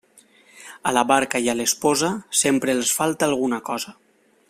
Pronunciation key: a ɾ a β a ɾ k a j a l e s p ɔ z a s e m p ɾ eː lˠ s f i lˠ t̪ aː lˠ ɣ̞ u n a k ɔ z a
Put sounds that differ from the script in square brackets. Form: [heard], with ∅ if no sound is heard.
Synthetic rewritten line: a [l] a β a ɾ k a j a l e s p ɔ z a s e m p ɾ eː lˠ s f [a] lˠ t̪ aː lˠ ɣ̞ u n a k ɔ z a